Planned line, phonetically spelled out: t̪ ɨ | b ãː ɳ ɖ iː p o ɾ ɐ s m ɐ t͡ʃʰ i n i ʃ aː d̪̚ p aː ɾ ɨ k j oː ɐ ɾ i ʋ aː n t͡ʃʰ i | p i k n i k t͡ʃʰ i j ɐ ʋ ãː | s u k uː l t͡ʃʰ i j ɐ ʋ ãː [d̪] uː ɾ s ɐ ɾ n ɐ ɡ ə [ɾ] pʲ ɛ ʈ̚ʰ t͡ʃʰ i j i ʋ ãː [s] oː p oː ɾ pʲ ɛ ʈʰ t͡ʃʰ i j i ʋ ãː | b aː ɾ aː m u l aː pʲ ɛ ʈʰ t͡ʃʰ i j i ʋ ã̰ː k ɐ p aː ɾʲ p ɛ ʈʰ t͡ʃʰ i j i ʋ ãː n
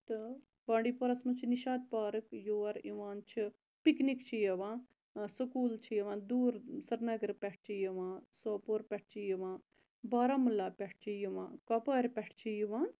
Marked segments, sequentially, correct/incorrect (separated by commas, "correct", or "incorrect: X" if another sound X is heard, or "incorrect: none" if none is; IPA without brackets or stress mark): correct, correct, correct